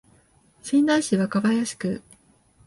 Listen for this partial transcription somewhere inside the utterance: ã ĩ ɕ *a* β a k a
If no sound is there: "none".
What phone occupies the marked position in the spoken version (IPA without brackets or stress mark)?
i